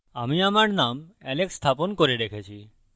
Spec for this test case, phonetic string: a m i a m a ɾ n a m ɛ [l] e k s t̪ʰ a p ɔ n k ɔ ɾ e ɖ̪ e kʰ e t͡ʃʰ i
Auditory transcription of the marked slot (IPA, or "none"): l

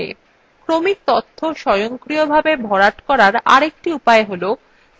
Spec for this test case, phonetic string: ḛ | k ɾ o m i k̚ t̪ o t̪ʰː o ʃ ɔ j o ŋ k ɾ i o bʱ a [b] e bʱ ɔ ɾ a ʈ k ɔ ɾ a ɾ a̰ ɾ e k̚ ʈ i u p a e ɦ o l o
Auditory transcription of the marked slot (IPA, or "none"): b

